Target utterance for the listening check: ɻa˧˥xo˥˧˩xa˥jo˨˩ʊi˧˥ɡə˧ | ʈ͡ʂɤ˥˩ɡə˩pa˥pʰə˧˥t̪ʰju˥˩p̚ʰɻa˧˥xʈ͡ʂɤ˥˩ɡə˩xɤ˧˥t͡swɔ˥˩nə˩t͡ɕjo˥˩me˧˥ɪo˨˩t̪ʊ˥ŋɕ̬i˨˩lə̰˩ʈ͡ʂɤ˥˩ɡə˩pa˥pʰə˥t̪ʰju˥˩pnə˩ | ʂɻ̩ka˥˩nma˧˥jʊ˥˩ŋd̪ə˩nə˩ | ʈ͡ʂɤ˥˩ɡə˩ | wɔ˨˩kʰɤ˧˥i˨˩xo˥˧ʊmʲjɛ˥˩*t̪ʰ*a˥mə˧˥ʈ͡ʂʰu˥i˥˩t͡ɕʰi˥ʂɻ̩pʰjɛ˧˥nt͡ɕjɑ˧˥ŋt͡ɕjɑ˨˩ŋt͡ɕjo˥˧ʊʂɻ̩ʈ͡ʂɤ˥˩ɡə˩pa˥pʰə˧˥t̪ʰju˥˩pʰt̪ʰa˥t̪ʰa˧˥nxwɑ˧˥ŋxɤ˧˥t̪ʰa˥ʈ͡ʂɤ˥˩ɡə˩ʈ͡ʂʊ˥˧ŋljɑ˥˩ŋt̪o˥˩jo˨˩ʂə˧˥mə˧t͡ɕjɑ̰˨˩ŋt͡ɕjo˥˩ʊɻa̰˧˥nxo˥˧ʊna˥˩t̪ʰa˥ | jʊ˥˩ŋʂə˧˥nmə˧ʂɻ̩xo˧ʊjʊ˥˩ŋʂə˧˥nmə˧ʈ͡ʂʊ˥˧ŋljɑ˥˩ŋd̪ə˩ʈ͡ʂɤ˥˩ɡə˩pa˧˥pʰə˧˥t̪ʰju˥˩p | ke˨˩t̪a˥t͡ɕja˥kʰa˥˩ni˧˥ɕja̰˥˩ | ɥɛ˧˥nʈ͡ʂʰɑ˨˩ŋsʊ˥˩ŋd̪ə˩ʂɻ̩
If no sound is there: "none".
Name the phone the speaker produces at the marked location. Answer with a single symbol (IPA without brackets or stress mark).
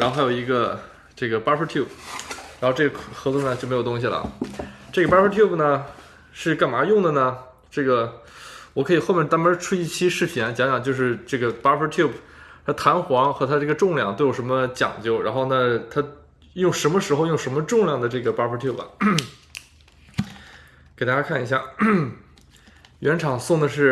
t̪